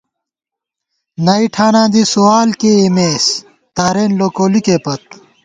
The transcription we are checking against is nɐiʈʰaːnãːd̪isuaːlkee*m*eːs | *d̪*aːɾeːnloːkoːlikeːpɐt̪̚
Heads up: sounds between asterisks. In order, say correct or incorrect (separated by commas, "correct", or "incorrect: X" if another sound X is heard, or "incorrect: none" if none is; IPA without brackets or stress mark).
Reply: correct, incorrect: t̪